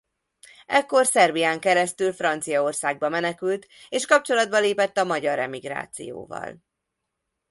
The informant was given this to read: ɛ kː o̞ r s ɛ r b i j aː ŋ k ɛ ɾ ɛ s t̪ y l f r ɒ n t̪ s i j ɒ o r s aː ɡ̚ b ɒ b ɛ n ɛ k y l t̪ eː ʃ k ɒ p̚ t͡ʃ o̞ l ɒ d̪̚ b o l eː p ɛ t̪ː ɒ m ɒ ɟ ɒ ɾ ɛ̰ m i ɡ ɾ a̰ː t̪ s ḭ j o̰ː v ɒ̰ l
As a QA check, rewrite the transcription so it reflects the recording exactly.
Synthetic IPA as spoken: ɛ kː o̞ r s ɛ r b i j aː ŋ k ɛ ɾ ɛ s t̪ y l f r ɒ n t̪ s i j ɒ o r s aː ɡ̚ b ɒ m ɛ n ɛ k y l t̪ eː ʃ k ɒ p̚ t͡ʃ o̞ l ɒ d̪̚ b ɒ l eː p ɛ t̪ː ɒ m ɒ ɟ ɒ ɾ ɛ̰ m i ɡ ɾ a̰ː t̪ s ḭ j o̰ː v ɒ̰ l